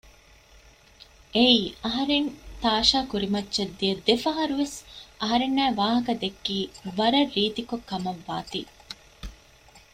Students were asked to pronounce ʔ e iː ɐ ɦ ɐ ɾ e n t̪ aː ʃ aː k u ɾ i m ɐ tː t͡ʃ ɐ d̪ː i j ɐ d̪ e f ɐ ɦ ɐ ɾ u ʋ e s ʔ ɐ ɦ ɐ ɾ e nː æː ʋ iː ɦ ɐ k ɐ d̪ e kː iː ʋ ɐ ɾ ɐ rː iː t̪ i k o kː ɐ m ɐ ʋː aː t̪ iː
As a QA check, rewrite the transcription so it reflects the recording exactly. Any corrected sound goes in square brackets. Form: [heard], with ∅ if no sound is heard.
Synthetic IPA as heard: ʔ e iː ɐ ɦ ɐ ɾ e n t̪ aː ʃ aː k u ɾ i m ɐ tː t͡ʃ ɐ d̪ː i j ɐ d̪ e f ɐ ɦ ɐ ɾ u ʋ e s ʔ ɐ ɦ ɐ ɾ e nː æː ʋ [aː] ɦ ɐ k ɐ d̪ e kː iː ʋ ɐ ɾ ɐ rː iː t̪ i k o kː ɐ m ɐ ʋː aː t̪ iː